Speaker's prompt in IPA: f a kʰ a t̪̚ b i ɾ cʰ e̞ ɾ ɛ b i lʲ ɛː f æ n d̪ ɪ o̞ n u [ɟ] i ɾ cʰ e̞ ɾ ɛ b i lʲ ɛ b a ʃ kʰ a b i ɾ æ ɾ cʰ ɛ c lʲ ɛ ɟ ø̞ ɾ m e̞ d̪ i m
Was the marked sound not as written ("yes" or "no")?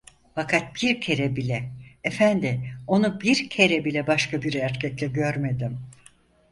yes